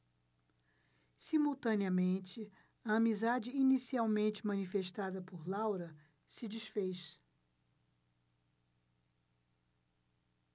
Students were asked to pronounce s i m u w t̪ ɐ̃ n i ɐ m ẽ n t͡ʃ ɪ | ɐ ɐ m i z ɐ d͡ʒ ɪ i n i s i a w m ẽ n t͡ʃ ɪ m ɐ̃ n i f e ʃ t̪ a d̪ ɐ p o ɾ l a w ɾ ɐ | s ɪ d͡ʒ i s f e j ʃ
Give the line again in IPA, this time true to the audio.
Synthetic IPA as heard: s i m u w t̪ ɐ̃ n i ɐ m ẽ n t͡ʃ ɪ | ɐ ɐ m i z a d͡ʒ ɪ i n i s i a w m ẽ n t͡ʃ ɪ m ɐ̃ n i f e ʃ t̪ a d̪ ɐ p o ɾ l a w ɾ ɐ | s ɪ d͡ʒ i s f e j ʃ